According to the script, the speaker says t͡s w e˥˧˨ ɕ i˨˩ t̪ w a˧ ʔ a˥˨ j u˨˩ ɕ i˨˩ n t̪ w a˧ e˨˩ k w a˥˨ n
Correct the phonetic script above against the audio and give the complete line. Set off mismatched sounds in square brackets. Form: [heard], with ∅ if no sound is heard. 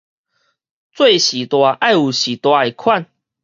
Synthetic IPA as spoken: t͡s w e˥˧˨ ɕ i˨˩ t̪ w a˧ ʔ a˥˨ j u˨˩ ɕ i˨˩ [∅] t̪ w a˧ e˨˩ [kʰ] w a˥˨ n